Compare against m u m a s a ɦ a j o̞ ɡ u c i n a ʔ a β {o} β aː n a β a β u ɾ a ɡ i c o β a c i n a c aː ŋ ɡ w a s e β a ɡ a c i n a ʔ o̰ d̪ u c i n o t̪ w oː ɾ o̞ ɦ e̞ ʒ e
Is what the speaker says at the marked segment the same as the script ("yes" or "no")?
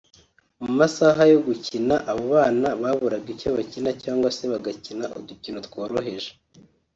yes